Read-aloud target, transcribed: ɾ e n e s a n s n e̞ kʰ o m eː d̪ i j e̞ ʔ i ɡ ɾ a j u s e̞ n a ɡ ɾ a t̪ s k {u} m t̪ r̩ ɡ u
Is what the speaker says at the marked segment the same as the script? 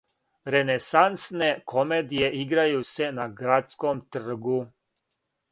no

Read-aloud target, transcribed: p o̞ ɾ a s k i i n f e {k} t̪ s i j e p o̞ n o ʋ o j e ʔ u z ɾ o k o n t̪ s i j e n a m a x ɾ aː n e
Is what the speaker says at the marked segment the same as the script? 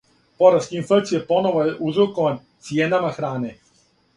yes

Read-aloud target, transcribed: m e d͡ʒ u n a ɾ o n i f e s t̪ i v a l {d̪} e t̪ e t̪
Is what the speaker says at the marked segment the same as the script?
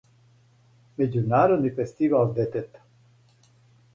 yes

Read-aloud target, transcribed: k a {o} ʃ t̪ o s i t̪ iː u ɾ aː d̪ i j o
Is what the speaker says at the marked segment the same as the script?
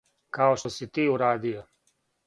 yes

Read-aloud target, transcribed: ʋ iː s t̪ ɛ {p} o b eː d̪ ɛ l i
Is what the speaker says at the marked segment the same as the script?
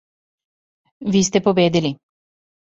yes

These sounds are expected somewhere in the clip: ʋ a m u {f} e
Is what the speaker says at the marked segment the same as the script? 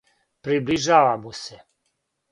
no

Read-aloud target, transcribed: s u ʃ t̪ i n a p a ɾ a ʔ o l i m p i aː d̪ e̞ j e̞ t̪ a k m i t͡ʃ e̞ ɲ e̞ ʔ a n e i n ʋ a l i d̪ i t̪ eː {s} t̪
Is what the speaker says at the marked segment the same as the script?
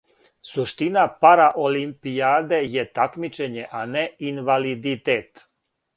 no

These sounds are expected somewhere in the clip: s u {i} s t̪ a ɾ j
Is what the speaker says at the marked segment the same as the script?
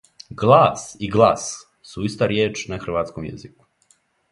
yes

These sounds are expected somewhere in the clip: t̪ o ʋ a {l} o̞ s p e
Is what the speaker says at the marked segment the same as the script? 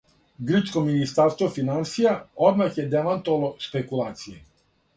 yes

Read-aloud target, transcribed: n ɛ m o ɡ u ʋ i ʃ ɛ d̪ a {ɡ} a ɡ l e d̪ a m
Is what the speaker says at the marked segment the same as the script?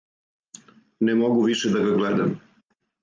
yes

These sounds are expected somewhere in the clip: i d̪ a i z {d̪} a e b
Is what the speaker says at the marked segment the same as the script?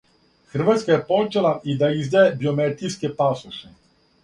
yes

